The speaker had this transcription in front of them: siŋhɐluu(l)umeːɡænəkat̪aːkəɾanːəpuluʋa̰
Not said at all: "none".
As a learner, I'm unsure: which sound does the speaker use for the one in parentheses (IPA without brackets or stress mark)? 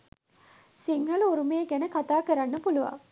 ɾ